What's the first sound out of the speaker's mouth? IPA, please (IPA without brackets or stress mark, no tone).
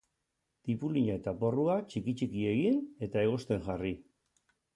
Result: t̪